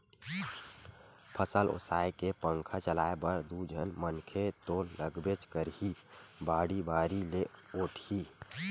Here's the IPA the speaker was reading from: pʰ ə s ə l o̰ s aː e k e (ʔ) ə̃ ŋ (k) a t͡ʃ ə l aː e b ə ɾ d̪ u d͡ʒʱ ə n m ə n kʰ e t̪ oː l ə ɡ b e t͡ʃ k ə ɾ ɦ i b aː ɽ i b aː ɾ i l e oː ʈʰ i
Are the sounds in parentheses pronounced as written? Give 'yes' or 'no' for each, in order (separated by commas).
no, no